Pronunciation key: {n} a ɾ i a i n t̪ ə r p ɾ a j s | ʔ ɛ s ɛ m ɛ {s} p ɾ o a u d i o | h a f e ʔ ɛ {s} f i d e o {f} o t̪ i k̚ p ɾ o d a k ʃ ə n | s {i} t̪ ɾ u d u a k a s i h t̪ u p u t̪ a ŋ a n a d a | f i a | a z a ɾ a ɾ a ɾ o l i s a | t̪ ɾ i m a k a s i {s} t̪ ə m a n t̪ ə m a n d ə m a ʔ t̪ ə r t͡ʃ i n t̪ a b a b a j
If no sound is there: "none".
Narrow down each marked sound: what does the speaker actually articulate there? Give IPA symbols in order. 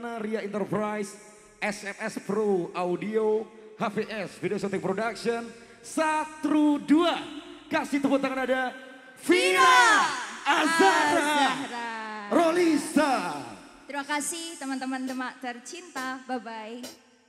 n, s, s, s, a, h

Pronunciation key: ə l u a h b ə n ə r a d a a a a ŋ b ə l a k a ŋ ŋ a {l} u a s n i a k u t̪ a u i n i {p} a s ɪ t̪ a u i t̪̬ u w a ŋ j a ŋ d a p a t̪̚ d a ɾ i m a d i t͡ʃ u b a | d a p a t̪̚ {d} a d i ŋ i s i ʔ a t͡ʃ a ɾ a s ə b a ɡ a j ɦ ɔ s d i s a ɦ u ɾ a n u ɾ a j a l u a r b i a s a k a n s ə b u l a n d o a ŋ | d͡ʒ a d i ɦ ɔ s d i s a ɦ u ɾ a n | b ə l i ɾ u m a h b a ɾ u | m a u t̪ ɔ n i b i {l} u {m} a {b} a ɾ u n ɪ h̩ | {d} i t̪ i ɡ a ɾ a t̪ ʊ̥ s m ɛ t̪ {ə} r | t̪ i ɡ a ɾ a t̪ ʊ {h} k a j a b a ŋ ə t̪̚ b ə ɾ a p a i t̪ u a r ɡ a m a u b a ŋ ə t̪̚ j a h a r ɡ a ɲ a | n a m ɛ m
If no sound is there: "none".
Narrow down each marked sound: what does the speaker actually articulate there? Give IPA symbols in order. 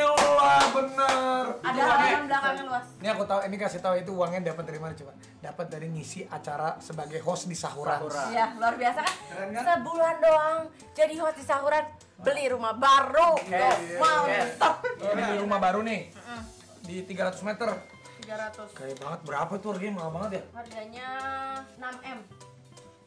l, k, d, ɾ, m, b, d, ə, s

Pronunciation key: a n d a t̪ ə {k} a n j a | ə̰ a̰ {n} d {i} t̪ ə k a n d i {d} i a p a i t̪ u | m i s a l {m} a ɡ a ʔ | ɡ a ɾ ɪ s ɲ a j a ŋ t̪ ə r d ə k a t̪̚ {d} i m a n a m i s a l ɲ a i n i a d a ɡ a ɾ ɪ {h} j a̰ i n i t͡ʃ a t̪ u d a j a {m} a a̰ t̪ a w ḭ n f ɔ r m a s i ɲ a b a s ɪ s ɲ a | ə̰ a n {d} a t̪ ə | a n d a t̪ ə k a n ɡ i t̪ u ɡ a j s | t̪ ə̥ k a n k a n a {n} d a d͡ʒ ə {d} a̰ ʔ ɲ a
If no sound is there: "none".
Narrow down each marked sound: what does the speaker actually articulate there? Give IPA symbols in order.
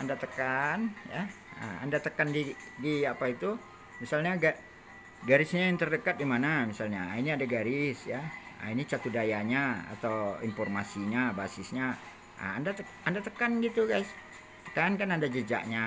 k, n, a, d, ɲ, d, s, ɲ, d, n, d͡ʒ

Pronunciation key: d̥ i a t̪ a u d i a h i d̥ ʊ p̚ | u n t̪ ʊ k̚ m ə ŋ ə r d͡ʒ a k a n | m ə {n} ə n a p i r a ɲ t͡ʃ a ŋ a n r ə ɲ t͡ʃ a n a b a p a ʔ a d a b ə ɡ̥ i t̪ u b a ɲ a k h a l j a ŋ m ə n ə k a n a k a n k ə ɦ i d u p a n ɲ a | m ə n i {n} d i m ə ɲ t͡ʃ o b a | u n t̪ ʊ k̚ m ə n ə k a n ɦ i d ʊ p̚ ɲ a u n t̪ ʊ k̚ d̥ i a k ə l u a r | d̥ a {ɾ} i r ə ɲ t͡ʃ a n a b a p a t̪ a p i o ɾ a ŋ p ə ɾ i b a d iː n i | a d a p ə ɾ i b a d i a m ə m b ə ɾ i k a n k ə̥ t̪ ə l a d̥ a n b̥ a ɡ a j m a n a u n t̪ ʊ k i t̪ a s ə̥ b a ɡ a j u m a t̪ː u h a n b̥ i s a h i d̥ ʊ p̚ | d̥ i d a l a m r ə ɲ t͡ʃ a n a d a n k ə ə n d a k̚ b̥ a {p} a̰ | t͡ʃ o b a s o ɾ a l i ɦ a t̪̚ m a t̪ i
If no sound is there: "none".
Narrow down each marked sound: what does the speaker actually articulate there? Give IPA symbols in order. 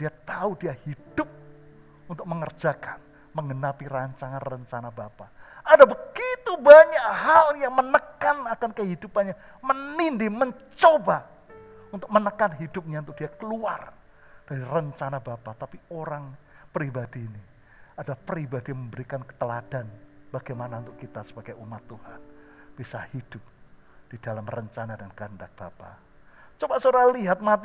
ŋ, n, ɾ, p

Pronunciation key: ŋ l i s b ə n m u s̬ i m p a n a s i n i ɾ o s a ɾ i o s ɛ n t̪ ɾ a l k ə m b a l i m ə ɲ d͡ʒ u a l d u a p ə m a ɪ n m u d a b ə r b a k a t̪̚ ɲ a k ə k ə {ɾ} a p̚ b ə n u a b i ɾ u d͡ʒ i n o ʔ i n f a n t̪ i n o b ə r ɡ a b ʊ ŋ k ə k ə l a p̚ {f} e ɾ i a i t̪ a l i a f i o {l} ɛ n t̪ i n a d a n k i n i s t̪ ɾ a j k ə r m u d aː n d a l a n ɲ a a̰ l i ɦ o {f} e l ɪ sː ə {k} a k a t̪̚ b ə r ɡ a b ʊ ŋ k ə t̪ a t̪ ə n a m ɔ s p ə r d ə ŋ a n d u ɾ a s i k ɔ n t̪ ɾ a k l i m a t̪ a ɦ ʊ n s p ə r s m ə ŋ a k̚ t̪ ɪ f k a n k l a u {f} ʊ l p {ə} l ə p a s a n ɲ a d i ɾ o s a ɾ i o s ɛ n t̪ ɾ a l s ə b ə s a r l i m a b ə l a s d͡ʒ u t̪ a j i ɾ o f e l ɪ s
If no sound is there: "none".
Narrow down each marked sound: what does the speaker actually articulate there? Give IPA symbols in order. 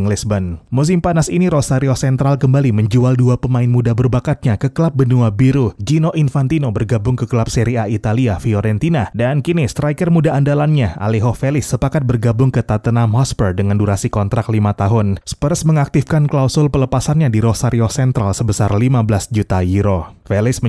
l, s, ɾ, f, p, s, ə

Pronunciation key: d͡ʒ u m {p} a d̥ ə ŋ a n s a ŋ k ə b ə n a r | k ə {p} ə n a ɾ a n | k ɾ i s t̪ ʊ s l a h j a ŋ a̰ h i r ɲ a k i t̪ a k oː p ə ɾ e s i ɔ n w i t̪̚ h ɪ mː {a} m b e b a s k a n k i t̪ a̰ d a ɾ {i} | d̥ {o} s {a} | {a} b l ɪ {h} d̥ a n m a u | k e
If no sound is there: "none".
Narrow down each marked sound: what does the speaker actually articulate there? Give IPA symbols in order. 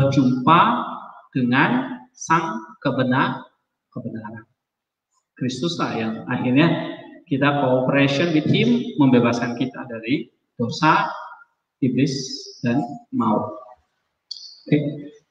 p, b, ə, i, o, a, i, s

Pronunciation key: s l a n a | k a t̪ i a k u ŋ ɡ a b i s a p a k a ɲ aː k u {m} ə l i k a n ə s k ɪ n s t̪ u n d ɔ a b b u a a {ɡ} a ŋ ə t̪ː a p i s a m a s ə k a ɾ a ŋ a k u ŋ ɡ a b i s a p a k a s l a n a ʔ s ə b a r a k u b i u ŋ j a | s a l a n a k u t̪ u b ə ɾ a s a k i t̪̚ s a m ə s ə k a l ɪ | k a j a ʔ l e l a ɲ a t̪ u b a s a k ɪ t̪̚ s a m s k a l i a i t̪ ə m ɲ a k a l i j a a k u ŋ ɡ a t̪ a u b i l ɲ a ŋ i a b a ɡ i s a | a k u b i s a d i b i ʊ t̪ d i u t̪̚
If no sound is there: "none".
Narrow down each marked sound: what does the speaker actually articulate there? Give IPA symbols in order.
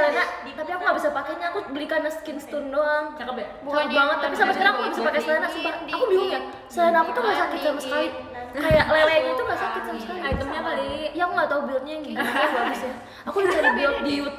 b, b

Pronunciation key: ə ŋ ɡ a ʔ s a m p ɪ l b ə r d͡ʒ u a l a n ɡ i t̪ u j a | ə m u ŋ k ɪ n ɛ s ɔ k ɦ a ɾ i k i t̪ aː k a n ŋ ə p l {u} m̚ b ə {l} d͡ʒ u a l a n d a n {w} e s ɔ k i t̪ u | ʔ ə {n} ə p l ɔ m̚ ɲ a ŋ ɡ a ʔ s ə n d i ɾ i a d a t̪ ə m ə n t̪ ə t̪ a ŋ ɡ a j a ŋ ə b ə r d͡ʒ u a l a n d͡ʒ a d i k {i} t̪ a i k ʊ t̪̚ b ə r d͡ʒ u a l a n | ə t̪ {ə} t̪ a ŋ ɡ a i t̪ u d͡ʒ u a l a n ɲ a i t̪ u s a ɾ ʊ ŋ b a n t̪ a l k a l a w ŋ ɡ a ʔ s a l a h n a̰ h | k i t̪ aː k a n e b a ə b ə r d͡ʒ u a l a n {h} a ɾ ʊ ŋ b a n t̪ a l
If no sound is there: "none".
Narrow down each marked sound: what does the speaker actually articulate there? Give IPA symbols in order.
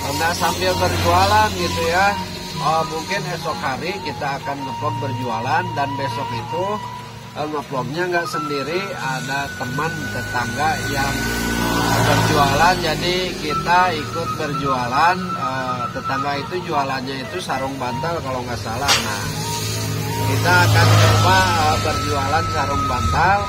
ɔ, r, b, ŋ, i, ə, s

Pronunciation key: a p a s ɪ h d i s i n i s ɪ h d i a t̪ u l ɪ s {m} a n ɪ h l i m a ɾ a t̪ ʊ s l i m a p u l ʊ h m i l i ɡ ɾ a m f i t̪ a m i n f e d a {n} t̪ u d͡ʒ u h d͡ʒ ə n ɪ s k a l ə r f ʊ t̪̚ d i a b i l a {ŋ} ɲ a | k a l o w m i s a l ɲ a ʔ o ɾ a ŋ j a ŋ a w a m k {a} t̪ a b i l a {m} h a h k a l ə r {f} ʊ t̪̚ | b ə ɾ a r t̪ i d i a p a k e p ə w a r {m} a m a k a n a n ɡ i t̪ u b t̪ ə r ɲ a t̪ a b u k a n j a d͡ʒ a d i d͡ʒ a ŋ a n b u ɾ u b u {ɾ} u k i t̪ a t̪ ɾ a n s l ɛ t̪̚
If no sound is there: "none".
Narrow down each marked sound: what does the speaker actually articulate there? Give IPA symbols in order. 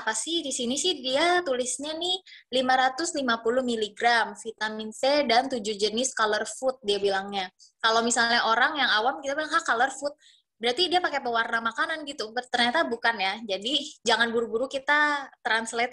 ɲ, n, ŋ, i, ŋ, f, n, ɾ

